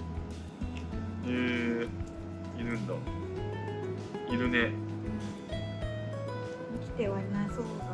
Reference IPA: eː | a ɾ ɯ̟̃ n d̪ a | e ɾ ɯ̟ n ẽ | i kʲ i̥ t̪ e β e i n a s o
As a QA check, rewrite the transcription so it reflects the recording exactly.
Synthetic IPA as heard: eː | i ɾ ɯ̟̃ n d̪ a | i ɾ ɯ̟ n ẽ | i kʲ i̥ t̪ e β a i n a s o